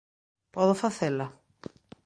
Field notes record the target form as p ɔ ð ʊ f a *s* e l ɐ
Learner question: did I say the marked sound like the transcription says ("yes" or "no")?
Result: no